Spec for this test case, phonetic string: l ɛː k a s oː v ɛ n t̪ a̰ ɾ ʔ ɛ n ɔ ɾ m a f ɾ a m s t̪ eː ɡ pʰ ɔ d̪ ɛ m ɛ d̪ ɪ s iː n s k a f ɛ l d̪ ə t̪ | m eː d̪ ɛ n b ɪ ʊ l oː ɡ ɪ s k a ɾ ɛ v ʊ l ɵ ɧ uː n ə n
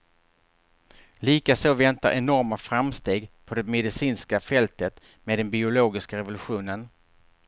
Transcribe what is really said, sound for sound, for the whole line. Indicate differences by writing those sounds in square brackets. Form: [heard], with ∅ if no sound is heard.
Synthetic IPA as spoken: l [iː] k a s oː v ɛ n t̪ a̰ ɾ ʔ ɛ n ɔ ɾ m a f ɾ a m s t̪ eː ɡ pʰ ɔ d̪ ɛ m ɛ d̪ ɪ s iː n s k a f ɛ l [t̪] ə t̪ | m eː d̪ ɛ n b ɪ ʊ l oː ɡ ɪ s k a ɾ ɛ v ʊ l ɵ ɧ uː n ə n